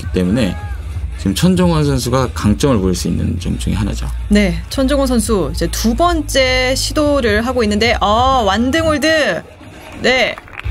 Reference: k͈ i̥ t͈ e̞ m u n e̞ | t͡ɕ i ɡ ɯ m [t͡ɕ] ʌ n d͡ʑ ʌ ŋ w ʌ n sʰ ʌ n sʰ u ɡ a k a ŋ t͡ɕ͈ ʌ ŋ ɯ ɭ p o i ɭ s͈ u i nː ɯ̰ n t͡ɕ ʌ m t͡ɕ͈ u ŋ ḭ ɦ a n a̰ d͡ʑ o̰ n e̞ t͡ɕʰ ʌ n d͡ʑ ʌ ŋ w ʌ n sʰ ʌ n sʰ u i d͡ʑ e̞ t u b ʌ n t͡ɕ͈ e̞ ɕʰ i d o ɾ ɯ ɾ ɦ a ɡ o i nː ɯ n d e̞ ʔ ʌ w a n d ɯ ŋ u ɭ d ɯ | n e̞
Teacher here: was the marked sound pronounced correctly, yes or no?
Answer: no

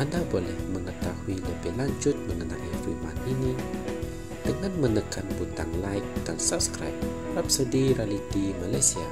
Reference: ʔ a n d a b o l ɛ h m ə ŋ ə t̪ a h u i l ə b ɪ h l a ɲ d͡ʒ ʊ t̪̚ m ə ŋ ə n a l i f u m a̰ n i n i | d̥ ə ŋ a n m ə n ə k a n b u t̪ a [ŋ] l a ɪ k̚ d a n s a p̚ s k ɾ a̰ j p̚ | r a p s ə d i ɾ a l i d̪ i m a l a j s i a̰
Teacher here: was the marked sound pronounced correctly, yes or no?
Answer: yes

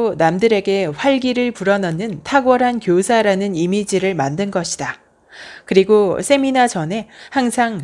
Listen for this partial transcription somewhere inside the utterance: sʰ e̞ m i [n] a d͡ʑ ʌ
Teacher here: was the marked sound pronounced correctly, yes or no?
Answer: yes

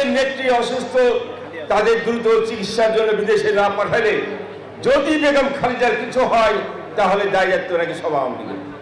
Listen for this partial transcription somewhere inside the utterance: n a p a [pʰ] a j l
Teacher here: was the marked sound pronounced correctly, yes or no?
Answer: no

